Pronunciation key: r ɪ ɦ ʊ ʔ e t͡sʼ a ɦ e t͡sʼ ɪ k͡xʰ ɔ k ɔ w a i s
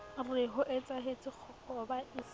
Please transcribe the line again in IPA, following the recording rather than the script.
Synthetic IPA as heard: r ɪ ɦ ʊ ʔ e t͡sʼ a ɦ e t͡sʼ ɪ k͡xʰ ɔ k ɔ b a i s